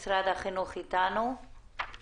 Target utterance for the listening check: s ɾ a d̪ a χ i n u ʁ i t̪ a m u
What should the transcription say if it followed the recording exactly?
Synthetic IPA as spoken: s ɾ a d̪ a χ i n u χ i t̪ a n u